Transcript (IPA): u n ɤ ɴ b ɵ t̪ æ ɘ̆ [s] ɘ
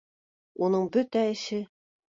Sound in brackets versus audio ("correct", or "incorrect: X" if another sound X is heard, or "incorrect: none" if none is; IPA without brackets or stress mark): incorrect: ʃ